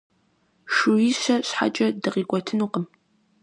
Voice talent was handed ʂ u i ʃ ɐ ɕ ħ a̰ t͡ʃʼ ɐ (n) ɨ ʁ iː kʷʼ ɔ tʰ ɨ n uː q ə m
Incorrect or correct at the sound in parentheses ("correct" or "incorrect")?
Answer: incorrect